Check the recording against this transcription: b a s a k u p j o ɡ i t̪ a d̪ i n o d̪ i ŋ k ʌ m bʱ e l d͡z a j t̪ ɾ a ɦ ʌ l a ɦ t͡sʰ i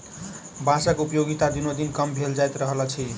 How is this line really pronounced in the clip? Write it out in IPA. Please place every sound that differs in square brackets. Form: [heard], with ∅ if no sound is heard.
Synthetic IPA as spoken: b a s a k u p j o ɡ i t̪ a d̪ i n o d̪ i [n] k ʌ m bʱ e l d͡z a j t̪ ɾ [ʌ] ɦ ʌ l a [∅] t͡sʰ i